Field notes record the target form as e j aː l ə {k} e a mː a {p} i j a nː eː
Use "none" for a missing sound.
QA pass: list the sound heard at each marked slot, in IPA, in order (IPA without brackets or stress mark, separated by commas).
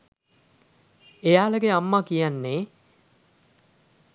ɡ, k